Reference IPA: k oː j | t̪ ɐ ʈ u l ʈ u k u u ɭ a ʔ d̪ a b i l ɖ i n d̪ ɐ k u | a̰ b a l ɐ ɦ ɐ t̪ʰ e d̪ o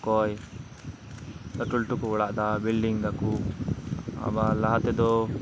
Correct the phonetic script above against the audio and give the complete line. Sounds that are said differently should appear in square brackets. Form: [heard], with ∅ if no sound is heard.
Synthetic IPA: k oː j | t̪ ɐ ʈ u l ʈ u k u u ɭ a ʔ d̪ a b i l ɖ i [ŋ] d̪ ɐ k u | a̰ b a l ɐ ɦ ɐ [t̪] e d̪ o